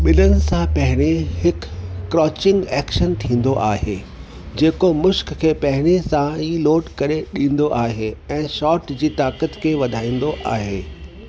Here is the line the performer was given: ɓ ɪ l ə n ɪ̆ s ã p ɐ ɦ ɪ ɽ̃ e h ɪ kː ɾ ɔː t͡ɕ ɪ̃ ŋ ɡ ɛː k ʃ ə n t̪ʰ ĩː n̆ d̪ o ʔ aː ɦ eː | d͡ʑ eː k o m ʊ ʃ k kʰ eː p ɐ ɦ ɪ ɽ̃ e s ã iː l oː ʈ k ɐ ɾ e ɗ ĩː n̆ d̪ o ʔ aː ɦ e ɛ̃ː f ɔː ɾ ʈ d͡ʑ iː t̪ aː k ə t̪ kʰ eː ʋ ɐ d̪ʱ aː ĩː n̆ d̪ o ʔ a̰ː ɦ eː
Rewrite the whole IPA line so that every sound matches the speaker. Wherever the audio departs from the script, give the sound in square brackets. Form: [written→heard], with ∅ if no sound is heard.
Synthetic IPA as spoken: ɓ ɪ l ə n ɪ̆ s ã p ɐ ɦ ɪ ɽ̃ e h ɪ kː ɾ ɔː t͡ɕ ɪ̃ ŋ ɡ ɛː k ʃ ə n t̪ʰ ĩː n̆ d̪ o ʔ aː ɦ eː | d͡ʑ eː k o m ʊ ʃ k kʰ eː p ɐ ɦ ɪ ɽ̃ e s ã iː l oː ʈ k ɐ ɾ e ɗ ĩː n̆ d̪ o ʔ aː ɦ e ɛ̃ː [f→ʃ] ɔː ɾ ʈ d͡ʑ iː t̪ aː k ə t̪ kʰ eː ʋ ɐ d̪ʱ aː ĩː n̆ d̪ o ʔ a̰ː ɦ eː